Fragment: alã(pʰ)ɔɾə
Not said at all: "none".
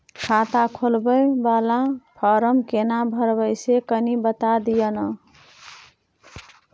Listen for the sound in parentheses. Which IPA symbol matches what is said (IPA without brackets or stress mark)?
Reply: pʰ